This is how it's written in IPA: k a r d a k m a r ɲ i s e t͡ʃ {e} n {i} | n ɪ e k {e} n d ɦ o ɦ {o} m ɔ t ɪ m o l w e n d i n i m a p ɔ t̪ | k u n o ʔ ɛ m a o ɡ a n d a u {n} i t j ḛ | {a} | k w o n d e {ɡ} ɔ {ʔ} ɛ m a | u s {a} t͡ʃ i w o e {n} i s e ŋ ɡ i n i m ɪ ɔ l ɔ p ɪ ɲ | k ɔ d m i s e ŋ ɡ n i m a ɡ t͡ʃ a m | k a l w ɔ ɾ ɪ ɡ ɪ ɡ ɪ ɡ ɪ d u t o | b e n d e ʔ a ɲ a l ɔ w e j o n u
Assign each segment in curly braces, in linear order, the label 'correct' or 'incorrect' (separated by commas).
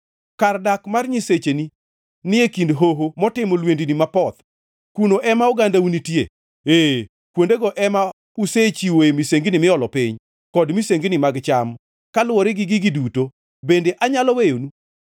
correct, correct, incorrect, correct, correct, incorrect, correct, correct, incorrect, incorrect